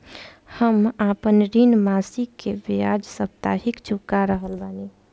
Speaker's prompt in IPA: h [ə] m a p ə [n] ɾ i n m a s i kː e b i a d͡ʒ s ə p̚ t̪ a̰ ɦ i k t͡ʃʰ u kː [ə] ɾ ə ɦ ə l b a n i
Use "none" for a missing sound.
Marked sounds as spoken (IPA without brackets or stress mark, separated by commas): ə, n, a